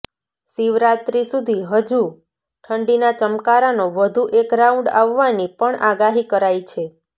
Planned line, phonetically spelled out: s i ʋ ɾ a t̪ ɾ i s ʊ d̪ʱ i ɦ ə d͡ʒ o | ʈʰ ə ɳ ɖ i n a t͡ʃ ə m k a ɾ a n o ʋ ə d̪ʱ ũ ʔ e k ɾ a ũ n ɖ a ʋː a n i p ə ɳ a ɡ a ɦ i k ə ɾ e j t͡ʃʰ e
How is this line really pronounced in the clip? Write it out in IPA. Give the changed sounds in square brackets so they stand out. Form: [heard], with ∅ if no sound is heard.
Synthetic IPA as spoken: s i ʋ ɾ a t̪ ɾ i s [u] d̪ʱ i ɦ ə d͡ʒ [u] | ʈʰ ə ɳ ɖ i n a t͡ʃ ə m k a ɾ a n o ʋ ə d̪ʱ [u] ʔ e k ɾ a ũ [ɳ] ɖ a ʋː a n i p ə ɳ a ɡ a ɦ i k ə ɾ [a] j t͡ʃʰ e